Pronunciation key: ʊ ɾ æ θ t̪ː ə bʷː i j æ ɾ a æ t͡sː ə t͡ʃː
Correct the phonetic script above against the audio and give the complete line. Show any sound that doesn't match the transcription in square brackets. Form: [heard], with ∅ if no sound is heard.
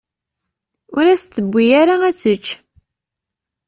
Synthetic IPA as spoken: ʊ ɾ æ [s] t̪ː ə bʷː i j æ ɾ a æ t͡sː ə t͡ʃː

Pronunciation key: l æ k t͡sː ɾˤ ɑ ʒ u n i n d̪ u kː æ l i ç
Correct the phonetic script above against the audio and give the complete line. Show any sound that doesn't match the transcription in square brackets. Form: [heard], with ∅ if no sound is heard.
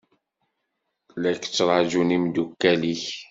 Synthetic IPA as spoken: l æ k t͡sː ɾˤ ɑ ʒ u n i [m] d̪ u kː æ l i ç

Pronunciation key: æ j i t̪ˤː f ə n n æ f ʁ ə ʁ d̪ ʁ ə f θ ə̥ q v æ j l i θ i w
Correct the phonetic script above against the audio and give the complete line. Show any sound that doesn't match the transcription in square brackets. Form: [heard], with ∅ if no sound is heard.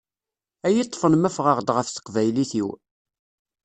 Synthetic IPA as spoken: æ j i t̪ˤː f ə n [m] æ f ʁ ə ʁ d̪ ʁ ə f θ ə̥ q v æ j l i θ i w

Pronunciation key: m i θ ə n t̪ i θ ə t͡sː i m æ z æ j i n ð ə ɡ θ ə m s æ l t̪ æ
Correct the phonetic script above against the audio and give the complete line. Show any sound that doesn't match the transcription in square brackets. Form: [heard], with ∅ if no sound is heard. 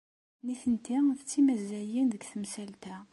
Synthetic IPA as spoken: [n] i θ ə n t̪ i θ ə t͡sː i m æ z æ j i n ð ə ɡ θ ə m s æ l t̪ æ

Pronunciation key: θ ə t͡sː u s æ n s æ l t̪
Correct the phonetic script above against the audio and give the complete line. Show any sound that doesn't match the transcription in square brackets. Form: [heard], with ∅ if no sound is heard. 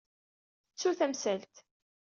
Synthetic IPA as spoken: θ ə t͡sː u [θ] æ [m] s æ l t̪

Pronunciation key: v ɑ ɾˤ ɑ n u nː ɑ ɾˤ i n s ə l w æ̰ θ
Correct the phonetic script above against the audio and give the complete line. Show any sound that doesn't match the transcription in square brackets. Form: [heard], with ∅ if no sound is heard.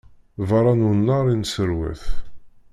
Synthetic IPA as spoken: v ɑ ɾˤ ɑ n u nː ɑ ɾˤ i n s ə [ɾ] w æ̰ θ

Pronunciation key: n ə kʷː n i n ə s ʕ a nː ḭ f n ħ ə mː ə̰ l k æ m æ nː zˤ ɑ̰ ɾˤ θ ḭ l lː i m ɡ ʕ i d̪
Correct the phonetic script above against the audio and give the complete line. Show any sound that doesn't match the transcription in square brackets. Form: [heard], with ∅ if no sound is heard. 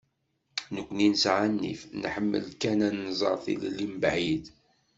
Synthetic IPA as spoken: n ə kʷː n i n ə s ʕ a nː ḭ f n ħ ə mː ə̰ l k æ [n] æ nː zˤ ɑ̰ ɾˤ θ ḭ l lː i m [b] ʕ i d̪

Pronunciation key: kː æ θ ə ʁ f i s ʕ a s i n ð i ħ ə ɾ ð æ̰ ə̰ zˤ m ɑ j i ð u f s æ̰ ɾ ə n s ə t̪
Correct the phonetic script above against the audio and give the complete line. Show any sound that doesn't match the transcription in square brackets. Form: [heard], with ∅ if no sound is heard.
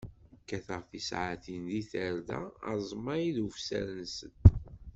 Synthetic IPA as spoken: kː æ θ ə ʁ f i s ʕ a [θ] i n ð i [θ] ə ɾ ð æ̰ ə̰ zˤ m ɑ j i ð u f s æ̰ ɾ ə n s ə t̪

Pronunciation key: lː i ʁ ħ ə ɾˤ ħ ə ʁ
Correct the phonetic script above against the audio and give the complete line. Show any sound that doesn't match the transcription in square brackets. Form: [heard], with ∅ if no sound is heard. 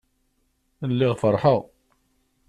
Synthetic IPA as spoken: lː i ʁ [f] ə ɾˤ ħ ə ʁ

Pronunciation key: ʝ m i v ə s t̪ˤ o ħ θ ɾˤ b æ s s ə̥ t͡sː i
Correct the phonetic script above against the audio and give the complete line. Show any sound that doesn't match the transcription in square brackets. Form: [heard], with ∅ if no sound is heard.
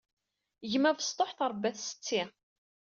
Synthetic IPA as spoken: ʝ m [æ] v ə s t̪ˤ o ħ θ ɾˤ b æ [θ] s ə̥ t͡sː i

